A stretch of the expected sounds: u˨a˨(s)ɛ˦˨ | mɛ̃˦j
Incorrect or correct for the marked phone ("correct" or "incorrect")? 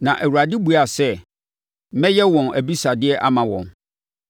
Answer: correct